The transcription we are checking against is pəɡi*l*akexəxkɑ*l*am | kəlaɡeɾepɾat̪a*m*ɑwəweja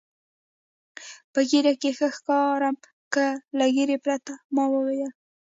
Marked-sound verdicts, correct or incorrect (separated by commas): incorrect, incorrect, correct